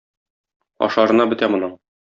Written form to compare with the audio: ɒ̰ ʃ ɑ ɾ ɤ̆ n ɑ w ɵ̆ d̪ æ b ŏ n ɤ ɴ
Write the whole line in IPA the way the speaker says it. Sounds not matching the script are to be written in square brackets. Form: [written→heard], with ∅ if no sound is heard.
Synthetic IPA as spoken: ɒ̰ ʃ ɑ ɾ ɤ̆ n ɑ [w→b] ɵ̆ [d̪→t̪] æ [b→m] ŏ n ɤ ɴ